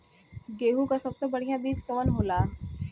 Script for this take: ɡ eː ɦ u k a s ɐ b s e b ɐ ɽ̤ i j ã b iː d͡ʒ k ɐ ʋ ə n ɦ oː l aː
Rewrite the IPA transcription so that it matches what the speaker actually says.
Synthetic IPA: ɡ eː ɦ u k a s ɐ b s e b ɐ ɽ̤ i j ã b iː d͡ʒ k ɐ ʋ ə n ɦ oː l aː